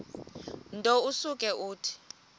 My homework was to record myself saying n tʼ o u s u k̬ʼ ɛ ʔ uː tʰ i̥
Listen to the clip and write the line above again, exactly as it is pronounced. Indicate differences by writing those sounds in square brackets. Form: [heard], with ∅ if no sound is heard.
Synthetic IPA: n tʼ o u s u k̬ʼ ɛ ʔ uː tʰ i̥